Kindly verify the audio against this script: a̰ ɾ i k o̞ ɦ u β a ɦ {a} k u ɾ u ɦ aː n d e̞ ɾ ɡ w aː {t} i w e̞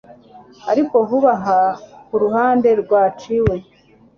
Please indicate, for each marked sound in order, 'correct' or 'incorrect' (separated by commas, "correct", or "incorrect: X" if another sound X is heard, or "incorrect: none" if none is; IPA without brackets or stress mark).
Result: correct, incorrect: t͡ʃ